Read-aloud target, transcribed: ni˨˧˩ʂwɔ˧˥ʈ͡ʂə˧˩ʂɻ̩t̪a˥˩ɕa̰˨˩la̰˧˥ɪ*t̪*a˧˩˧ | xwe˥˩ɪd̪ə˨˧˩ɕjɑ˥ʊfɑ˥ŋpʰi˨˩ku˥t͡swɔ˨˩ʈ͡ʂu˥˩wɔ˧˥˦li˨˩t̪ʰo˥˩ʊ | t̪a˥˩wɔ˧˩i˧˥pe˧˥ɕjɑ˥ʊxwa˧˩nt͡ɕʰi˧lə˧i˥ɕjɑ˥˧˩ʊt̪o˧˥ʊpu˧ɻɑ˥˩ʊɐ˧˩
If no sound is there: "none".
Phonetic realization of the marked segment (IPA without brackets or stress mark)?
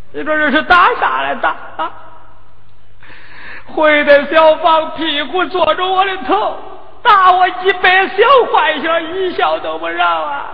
t̪